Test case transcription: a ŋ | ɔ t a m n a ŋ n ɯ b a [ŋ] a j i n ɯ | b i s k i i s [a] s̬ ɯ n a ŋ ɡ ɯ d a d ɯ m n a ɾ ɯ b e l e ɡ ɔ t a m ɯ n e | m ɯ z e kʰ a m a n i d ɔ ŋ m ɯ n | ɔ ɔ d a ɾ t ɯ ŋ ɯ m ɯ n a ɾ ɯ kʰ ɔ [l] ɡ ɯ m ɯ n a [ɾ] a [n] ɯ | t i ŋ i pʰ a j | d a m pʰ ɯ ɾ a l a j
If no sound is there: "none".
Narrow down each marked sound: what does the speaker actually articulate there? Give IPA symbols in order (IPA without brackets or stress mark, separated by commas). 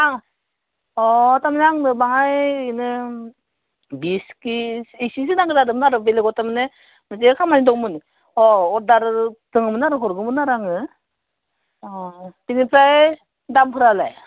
ŋ, i, ɾ, ɾ, ŋ